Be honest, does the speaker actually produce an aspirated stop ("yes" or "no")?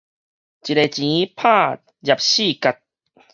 yes